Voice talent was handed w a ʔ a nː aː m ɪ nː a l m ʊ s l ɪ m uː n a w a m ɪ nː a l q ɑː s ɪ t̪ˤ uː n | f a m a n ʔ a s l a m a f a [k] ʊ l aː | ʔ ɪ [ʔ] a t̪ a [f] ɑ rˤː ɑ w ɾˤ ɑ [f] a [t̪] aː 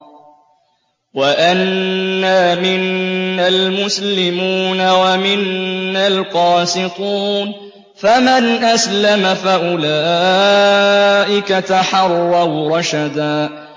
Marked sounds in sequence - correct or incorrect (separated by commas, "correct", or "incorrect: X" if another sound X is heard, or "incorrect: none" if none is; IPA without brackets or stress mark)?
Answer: incorrect: ʔ, incorrect: k, incorrect: ħ, incorrect: ʃ, incorrect: d̪